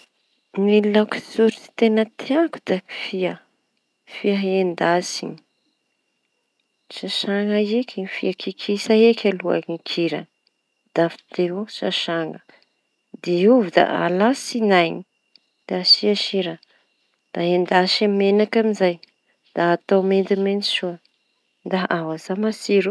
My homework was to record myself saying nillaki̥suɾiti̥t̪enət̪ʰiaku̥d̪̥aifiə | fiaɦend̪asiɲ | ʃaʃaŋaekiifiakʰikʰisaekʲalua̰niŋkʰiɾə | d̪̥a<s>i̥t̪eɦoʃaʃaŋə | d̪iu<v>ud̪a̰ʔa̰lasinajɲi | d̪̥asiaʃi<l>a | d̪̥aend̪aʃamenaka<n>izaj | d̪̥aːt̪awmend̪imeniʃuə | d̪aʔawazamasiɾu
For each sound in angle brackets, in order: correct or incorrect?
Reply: incorrect: f, correct, incorrect: ɾ, incorrect: m

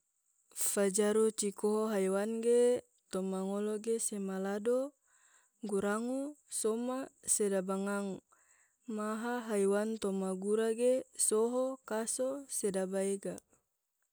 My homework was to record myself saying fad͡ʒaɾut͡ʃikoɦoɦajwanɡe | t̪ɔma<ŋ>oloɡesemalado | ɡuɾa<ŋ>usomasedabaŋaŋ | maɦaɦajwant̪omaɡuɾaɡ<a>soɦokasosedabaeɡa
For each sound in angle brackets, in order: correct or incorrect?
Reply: correct, correct, incorrect: e

